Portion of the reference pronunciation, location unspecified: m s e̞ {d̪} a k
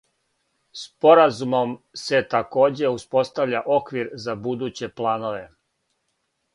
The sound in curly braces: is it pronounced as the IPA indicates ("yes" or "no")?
no